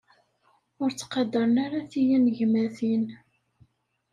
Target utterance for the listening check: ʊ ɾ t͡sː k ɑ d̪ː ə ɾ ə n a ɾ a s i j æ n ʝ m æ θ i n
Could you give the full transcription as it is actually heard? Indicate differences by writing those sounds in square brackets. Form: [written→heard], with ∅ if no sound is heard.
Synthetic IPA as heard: ʊ ɾ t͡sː [k→q] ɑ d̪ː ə ɾ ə n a ɾ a [s→θ] i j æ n ʝ m æ θ i n